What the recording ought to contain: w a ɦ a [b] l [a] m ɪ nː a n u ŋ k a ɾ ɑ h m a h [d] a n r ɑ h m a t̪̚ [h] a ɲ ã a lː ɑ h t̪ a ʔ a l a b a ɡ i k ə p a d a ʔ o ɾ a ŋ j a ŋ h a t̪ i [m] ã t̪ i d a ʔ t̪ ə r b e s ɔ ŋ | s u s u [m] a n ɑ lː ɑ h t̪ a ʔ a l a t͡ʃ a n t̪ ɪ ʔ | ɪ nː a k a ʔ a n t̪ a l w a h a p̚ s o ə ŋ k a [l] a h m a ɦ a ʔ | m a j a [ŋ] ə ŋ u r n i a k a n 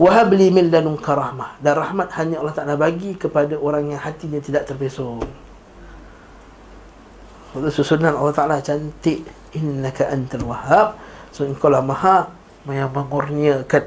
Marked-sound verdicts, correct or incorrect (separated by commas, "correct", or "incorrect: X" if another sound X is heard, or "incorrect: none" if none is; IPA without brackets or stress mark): correct, incorrect: i, correct, correct, incorrect: ɲ, incorrect: n, correct, incorrect: m